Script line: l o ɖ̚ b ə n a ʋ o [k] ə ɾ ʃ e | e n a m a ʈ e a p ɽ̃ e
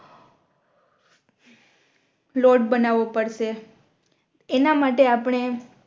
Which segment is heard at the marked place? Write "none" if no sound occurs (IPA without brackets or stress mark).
p